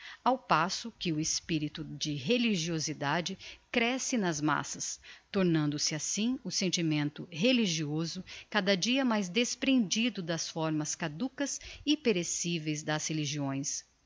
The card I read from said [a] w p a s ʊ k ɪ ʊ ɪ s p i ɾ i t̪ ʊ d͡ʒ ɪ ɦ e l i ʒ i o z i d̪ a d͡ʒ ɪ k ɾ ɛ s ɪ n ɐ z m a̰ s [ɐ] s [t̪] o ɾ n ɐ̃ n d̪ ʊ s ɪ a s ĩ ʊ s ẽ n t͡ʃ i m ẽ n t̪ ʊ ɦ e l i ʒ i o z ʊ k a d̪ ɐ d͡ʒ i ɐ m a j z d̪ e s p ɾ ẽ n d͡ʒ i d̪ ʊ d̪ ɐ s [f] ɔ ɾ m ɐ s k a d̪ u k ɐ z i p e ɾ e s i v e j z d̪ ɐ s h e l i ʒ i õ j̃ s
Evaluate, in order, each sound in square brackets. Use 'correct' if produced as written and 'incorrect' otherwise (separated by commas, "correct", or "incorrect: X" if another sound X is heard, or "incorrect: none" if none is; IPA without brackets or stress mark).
correct, correct, correct, correct